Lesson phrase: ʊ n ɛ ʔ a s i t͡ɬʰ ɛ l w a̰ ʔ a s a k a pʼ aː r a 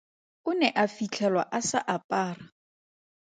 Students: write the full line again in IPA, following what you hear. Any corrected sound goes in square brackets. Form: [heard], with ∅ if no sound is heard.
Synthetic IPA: ʊ n ɛ ʔ a [f] i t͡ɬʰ ɛ l w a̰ ʔ a s a [ʔ] a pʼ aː r a